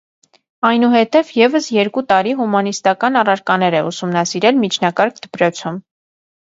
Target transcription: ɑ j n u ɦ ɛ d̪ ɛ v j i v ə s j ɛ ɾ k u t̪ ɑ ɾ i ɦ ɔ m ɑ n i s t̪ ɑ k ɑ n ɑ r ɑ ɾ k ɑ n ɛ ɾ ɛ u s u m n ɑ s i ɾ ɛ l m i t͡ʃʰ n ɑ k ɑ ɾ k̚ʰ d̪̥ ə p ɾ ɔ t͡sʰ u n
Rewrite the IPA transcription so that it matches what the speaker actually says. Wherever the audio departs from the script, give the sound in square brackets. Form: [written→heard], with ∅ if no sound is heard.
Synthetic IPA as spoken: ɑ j n u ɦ ɛ [d̪→t̪] ɛ v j [i→ɛ] v ə s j ɛ ɾ k u t̪ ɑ ɾ i ɦ [ɔ→u] m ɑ n i s t̪ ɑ k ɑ n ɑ r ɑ ɾ k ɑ n ɛ ɾ ɛ u s u m n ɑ s i ɾ ɛ l m i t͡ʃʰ n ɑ k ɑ ɾ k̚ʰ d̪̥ ə p ɾ ɔ t͡sʰ u [n→m]

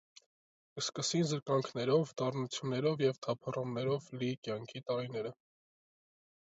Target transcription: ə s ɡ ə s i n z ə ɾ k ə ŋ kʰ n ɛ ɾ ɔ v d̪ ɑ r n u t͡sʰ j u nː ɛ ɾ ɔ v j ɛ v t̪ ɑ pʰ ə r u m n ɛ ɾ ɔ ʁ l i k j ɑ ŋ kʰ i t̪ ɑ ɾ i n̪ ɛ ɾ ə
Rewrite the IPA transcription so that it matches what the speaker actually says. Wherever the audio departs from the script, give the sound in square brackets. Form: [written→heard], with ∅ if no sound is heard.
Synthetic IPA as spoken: ə s [ɡ→k] ə s i n z ə ɾ k [ə→ɑ] ŋ kʰ n ɛ ɾ ɔ v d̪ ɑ r n u t͡sʰ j u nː ɛ ɾ ɔ v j ɛ v [t̪→t̪ʰ] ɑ pʰ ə r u m n ɛ ɾ ɔ [ʁ→v] l i k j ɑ ŋ kʰ i t̪ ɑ ɾ i n̪ ɛ ɾ ə

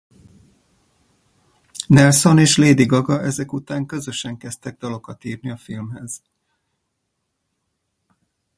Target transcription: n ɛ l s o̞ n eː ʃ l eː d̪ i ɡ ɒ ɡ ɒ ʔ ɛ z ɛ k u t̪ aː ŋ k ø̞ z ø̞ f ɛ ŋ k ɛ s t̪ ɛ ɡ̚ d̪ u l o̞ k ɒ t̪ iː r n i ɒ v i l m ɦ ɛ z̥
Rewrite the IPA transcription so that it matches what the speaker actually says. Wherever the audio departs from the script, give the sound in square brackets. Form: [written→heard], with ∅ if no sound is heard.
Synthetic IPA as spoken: n ɛ l s o̞ n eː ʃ l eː d̪ i ɡ ɒ ɡ ɒ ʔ ɛ z ɛ k u t̪ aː ŋ k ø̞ z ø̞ [f→ʃ] ɛ ŋ k ɛ s t̪ ɛ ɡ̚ d̪ [u→ɒ] l o̞ k ɒ t̪ iː r n i ɒ [v→f] i l m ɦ ɛ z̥

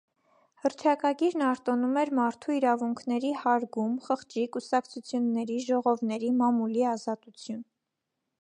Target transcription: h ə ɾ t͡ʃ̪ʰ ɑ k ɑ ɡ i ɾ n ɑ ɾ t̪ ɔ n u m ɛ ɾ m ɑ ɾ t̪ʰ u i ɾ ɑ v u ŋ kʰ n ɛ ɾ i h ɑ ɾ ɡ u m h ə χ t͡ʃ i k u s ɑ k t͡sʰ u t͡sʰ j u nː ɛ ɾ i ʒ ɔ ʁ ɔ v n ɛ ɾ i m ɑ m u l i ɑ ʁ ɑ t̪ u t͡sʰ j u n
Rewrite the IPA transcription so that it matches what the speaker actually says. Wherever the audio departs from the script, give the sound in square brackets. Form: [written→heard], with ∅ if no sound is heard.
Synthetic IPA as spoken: h ə ɾ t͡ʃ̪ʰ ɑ k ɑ ɡ i ɾ n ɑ ɾ t̪ ɔ n u m ɛ ɾ m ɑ ɾ t̪ʰ u i ɾ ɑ v u ŋ kʰ n ɛ ɾ i h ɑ ɾ ɡ u m [h→χ] ə χ t͡ʃ i k u s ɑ k t͡sʰ u t͡sʰ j u nː ɛ ɾ i ʒ ɔ ʁ ɔ v n ɛ ɾ i m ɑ m u l i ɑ [ʁ→z] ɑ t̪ u t͡sʰ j u n

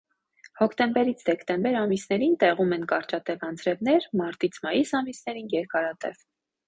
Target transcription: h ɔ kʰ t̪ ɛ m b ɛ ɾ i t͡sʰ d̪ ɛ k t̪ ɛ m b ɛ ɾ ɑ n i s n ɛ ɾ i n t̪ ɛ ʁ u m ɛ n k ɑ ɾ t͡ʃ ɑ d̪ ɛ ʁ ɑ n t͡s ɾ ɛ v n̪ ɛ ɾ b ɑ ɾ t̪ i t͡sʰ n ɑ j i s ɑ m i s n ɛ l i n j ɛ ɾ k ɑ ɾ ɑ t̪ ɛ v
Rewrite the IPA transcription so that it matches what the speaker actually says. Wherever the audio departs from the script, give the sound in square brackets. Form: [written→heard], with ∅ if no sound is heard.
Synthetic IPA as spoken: h ɔ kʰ t̪ ɛ m b ɛ ɾ i t͡sʰ d̪ ɛ k t̪ ɛ m b ɛ ɾ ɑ [n→m] i s n ɛ ɾ i n t̪ ɛ ʁ u m ɛ n k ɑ ɾ t͡ʃ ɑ [d̪→t̪] ɛ [ʁ→v] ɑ n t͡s ɾ ɛ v n̪ ɛ ɾ [b→m] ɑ ɾ t̪ i t͡sʰ [n→m] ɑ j i s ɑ m i s n ɛ [l→ɾ] i n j ɛ ɾ k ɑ ɾ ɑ t̪ ɛ v

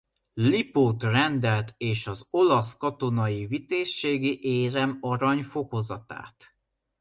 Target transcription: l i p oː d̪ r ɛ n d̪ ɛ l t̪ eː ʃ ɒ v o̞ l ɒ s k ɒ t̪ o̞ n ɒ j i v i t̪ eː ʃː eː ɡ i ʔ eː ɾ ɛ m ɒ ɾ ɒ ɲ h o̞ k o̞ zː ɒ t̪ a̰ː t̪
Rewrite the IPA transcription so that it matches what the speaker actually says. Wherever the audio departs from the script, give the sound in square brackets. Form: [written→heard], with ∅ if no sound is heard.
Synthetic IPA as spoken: l i p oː [d̪→t̪] r ɛ n d̪ ɛ l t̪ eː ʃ ɒ [v→z] o̞ l ɒ s k ɒ t̪ o̞ n ɒ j i v i t̪ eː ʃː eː ɡ i ʔ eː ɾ ɛ m ɒ ɾ ɒ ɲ [h→f] o̞ k o̞ [zː→z] ɒ t̪ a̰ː t̪

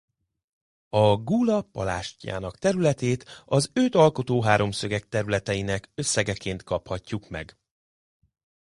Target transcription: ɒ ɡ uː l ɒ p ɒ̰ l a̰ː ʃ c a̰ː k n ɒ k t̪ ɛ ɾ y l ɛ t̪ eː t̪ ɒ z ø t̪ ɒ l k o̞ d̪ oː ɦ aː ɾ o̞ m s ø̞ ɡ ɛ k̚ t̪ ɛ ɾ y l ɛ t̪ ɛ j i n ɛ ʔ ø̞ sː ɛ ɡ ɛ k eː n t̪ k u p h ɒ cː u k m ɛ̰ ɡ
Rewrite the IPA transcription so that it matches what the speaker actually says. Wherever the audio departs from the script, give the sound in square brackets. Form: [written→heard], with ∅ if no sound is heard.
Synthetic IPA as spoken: ɒ ɡ uː l ɒ p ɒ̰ l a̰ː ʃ c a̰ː [k→∅] n ɒ k t̪ ɛ ɾ y l ɛ t̪ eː t̪ ɒ z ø t̪ ɒ l k o̞ [d̪→t̪] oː ɦ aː ɾ o̞ m s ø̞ ɡ ɛ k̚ t̪ ɛ ɾ y l ɛ t̪ ɛ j i n ɛ [ʔ→k] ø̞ sː ɛ ɡ ɛ k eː n t̪ k [u→ɒ] p h ɒ cː u k m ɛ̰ ɡ

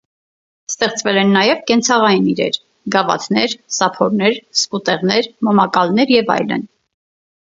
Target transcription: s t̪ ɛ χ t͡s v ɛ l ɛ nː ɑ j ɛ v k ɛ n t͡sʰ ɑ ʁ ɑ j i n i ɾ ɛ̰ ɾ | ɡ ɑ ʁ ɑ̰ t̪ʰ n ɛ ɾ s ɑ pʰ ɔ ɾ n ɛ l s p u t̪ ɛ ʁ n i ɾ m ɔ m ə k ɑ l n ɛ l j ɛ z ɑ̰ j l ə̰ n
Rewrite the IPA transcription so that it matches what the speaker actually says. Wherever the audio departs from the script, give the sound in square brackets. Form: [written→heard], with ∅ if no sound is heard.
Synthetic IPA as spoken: s t̪ ɛ χ t͡s v ɛ l ɛ nː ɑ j ɛ v k ɛ n t͡sʰ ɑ ʁ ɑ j i n i ɾ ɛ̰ ɾ | ɡ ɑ [ʁ→v] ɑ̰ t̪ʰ n ɛ ɾ s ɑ pʰ ɔ ɾ n ɛ [l→ɾ] s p u t̪ ɛ ʁ n [i→ɛ] ɾ m ɔ m [ə→ɑ] k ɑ l n ɛ [l→ɾ] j ɛ [z→v] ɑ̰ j l ə̰ n

